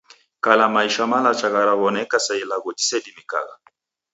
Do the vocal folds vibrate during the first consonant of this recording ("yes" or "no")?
no